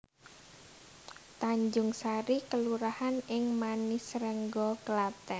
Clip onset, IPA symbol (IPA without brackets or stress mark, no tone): t̪